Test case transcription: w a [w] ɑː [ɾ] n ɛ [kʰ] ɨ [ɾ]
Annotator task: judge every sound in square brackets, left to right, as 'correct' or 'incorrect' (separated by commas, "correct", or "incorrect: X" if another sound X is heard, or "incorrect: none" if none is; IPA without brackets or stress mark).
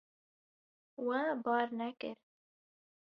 incorrect: b, correct, incorrect: k, correct